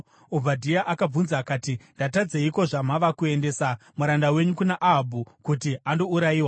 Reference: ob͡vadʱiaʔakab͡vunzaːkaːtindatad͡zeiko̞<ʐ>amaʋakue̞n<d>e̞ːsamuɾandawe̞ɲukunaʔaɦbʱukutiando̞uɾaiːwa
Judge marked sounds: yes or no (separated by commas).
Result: yes, yes